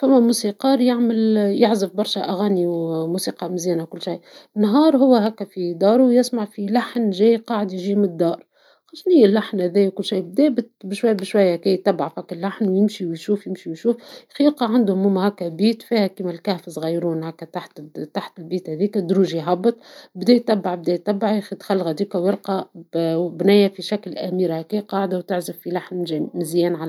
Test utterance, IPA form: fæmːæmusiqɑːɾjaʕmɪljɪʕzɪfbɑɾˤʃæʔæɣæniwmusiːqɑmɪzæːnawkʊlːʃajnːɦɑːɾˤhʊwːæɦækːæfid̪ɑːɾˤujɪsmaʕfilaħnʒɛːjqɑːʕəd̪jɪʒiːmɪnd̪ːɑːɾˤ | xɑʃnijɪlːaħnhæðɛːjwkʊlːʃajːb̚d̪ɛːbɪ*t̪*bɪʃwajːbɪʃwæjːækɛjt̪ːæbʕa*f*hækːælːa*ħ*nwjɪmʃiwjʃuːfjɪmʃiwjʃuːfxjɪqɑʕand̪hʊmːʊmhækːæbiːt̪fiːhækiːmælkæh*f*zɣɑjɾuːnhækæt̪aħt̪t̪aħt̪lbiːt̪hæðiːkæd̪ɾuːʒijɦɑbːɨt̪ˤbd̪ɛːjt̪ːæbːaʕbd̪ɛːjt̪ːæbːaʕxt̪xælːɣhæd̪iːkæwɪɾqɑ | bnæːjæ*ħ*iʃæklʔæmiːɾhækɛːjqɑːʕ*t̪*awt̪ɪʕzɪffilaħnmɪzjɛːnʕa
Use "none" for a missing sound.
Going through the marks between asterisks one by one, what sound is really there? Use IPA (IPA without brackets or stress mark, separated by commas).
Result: t̪, f, ħ, f, f, d̪